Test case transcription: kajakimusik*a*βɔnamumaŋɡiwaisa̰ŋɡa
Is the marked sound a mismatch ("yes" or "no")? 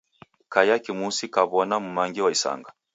no